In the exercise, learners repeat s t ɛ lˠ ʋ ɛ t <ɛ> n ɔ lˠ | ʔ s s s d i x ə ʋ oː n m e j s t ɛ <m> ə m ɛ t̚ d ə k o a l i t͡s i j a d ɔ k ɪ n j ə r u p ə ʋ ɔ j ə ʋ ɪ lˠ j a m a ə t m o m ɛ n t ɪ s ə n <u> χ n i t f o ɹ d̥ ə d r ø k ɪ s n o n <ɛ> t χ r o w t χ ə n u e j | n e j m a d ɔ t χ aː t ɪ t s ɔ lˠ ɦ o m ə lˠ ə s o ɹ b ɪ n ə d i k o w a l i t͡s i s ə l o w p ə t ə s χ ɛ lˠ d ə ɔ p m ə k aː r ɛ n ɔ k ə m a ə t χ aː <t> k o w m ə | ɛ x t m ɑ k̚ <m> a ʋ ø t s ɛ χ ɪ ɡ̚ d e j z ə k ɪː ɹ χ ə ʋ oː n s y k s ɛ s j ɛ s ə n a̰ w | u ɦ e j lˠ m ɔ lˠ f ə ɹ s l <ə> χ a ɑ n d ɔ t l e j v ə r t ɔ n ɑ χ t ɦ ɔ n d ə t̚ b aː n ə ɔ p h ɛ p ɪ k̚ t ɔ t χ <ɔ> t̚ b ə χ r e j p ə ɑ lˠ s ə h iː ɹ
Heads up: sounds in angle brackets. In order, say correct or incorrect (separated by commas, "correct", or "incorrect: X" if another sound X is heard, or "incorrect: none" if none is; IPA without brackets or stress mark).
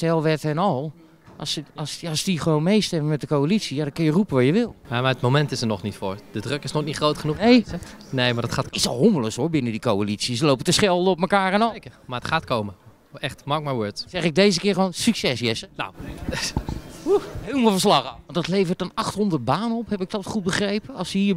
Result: correct, correct, incorrect: ɔ, incorrect: i, correct, correct, incorrect: ɑ, incorrect: u